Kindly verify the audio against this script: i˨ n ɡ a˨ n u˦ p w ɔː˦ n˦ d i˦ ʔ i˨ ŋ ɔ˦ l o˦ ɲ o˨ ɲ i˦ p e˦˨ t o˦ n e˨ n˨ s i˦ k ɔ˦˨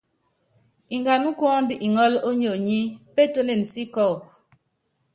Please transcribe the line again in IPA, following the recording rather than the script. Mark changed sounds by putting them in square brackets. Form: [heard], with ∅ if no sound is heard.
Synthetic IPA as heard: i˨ [ŋ] ɡ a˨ n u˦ [k] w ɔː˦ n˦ d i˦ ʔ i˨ ŋ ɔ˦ l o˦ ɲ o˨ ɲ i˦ p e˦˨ t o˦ n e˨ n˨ s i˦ k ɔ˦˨